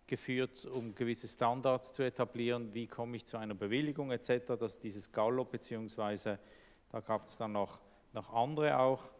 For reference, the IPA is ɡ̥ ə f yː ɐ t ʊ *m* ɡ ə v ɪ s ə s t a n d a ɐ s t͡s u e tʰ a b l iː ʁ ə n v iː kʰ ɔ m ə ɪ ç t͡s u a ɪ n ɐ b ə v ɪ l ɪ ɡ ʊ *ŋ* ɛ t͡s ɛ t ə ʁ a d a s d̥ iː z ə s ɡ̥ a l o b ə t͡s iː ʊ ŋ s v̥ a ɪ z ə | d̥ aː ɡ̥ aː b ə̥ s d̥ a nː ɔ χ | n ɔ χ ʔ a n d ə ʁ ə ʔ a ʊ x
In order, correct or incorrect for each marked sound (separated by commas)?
correct, correct